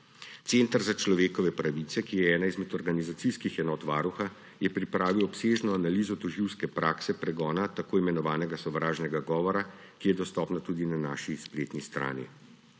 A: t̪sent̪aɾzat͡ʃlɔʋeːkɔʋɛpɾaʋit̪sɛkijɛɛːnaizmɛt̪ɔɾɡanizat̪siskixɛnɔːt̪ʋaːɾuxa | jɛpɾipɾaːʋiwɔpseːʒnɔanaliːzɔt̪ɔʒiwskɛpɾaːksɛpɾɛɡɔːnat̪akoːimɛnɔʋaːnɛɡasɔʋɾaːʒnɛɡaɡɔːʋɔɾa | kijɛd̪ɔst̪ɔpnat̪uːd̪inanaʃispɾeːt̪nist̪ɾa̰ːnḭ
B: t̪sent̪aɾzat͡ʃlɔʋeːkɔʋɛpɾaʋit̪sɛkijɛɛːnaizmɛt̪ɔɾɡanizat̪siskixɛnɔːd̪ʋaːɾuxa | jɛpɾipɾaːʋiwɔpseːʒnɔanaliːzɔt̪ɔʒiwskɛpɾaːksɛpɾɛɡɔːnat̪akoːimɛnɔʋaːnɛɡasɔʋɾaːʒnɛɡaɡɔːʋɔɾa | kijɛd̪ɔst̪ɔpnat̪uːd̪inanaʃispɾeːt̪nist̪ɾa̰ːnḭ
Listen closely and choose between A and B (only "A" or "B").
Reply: A